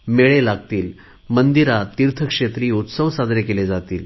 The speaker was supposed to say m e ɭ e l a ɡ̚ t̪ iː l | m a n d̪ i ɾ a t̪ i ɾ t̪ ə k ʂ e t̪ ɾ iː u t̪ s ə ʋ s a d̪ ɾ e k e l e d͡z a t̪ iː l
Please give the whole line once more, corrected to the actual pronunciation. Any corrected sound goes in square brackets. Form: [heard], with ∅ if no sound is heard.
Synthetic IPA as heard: m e ɭ e l a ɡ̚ t̪ iː l | m [ə] n d̪ i ɾ a t̪ i ɾ [t̪ʰ] ə k ʂ e t̪ ɾ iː u t̪ s ə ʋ s a d̪ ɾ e k e l e d͡z a t̪ iː l